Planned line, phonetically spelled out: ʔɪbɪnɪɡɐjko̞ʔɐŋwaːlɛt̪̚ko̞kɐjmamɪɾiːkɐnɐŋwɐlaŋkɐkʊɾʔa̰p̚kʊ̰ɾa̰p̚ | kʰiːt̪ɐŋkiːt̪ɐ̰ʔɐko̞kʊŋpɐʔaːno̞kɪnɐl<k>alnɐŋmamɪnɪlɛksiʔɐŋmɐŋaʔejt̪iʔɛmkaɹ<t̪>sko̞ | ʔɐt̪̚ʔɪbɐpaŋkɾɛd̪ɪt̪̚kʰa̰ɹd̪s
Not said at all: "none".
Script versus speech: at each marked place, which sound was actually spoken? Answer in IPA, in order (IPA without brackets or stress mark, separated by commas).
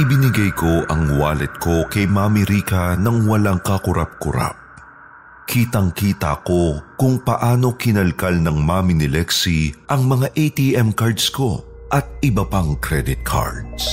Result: k, d̪